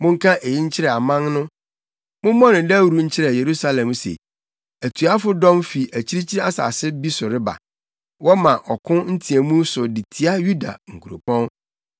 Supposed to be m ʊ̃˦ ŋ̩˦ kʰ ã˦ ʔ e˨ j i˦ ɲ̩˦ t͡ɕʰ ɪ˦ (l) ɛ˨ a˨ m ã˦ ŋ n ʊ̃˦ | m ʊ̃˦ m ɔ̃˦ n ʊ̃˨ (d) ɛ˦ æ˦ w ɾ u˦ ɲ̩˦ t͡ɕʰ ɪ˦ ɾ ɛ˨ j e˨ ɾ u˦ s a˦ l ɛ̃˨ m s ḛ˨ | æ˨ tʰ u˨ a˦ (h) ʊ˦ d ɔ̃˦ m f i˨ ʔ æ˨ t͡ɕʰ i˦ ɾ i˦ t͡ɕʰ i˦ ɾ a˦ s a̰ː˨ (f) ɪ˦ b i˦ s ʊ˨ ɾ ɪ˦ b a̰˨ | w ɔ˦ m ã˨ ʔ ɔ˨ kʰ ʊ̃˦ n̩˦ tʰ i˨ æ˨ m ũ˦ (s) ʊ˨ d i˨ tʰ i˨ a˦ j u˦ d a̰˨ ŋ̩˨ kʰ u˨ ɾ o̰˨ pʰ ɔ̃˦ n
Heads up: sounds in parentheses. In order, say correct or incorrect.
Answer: incorrect: ɾ, correct, incorrect: f, incorrect: s, correct

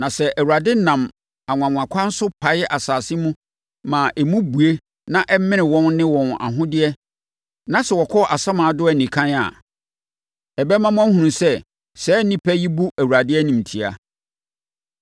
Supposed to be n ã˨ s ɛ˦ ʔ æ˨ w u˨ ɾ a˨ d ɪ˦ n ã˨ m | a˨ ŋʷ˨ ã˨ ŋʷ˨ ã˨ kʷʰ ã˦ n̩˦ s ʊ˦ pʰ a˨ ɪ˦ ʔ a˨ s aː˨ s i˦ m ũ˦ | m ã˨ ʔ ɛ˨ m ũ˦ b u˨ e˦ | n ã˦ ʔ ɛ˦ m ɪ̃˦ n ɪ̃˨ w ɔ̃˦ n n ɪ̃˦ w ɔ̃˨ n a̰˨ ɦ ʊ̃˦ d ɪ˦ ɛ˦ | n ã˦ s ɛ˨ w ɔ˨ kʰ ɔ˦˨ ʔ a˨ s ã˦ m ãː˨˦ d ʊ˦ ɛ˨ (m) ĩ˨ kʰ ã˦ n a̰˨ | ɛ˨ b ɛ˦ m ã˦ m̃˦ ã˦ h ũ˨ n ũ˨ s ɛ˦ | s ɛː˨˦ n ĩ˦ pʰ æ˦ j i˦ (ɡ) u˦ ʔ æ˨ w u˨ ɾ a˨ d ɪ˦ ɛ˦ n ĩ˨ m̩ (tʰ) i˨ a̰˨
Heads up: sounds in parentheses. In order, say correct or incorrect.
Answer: incorrect: n, incorrect: b, correct

